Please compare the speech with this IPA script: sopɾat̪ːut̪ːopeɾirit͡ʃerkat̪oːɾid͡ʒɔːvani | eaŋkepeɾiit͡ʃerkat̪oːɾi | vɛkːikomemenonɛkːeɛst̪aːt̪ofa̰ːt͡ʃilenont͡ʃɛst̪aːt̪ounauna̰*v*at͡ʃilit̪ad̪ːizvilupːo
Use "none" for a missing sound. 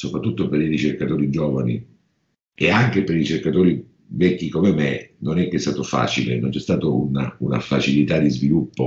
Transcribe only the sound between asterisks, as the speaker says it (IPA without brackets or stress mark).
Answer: f